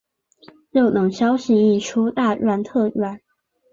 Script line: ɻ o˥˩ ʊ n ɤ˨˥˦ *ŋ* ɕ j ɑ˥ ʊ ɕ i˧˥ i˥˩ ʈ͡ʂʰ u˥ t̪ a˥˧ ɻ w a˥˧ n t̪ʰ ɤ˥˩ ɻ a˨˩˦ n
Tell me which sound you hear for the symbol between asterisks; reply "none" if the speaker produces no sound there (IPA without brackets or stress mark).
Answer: ŋ